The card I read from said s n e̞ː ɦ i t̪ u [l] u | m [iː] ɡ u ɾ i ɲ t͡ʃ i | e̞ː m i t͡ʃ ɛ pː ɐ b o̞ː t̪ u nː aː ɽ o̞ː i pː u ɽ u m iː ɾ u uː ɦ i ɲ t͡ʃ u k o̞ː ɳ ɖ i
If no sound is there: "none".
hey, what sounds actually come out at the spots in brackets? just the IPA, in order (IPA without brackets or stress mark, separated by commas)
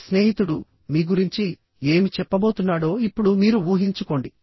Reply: ɽ, iː